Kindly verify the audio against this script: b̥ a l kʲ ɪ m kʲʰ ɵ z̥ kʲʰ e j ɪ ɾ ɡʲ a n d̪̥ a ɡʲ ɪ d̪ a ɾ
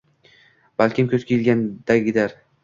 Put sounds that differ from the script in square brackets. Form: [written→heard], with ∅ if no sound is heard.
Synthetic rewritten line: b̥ a l kʲ ɪ m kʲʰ ɵ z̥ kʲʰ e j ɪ [ɾ→l] ɡʲ a n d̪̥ a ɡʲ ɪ d̪ a ɾ